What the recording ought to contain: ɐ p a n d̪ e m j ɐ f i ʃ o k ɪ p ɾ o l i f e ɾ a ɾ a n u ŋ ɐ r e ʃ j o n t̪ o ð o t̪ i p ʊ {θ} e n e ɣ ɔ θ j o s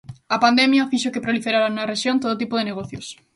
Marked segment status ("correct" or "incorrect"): incorrect